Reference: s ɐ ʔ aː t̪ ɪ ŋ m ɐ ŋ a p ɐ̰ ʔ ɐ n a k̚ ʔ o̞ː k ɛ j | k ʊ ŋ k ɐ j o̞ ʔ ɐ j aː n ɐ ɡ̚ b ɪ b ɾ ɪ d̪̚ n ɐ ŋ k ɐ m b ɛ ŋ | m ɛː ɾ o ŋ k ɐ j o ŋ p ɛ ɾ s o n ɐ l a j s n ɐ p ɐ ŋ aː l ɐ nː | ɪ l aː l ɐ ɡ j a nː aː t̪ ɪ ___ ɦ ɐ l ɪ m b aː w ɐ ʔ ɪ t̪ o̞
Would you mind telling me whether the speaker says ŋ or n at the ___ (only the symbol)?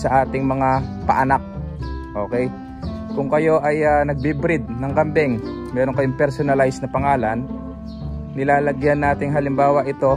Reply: ŋ